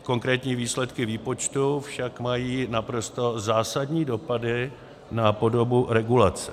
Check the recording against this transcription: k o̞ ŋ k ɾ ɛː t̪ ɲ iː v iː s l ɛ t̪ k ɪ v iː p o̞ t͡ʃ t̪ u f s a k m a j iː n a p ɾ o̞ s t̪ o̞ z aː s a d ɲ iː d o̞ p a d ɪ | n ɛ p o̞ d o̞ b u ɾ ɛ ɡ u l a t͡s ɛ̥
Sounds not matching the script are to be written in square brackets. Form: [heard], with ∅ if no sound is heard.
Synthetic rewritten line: k o̞ ŋ k ɾ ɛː t̪ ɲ iː v iː s l ɛ t̪ k ɪ v iː p o̞ t͡ʃ t̪ u f [ʃ] a k m a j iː n a p ɾ o̞ s t̪ o̞ z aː s a d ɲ iː d o̞ p a d ɪ | n [a] p o̞ d o̞ b u ɾ ɛ ɡ u l a t͡s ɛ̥